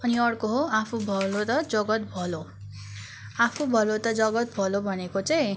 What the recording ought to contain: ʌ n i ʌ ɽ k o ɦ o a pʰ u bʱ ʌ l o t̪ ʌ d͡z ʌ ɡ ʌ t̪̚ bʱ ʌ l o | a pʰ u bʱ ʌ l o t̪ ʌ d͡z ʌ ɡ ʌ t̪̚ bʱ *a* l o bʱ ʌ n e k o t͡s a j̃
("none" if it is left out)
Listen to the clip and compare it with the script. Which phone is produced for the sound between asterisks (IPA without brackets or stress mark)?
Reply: ʌ